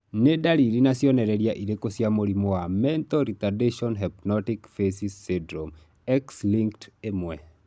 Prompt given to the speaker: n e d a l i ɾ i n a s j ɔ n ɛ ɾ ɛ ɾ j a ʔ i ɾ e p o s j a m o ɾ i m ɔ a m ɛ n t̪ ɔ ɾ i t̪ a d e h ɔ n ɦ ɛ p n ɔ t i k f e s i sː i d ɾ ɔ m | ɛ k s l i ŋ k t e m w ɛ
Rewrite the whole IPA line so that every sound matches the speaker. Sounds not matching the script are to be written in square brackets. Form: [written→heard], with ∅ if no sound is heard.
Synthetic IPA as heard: n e d a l i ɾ i n a s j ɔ n ɛ ɾ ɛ ɾ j a ʔ i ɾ e [p→k] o s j a m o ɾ i m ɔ a m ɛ n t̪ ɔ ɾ i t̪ a d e [h→ʃ] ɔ n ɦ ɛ p n ɔ t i k f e s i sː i d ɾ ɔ m | ɛ k s l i ŋ k t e m w ɛ